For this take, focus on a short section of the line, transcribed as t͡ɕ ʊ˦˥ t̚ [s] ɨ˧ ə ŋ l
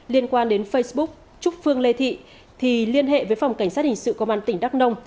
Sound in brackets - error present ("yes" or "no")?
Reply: yes